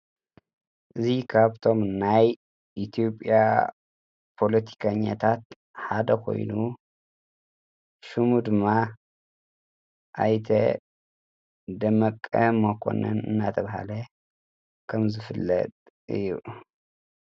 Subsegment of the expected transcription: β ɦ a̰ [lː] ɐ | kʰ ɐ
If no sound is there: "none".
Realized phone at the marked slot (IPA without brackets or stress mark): l